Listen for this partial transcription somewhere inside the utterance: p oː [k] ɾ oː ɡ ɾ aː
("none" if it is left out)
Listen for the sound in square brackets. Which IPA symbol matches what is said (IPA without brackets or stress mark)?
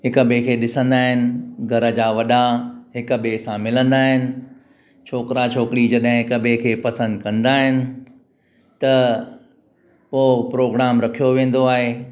p